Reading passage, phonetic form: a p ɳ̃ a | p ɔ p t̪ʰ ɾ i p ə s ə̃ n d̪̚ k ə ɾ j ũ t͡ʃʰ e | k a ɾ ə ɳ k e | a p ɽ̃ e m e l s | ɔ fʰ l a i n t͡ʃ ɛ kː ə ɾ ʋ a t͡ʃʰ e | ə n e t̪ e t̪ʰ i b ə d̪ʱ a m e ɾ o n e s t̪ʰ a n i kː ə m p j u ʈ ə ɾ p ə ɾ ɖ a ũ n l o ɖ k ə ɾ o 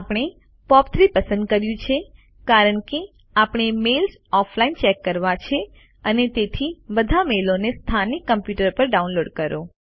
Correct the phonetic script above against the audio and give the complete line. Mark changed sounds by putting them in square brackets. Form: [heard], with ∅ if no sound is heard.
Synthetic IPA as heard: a p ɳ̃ [e] | p ɔ p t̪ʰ ɾ i p ə s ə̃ n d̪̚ k ə ɾ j ũ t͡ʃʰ e | k a ɾ ə ɳ k e | a p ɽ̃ e m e l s | ɔ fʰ l a i n t͡ʃ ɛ kː ə ɾ ʋ a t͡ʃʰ e | ə n e t̪ e t̪ʰ i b ə d̪ʱ a m e [l] o n e s t̪ʰ a n i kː ə m p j u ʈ ə ɾ p ə ɾ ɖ a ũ n l o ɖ k ə ɾ o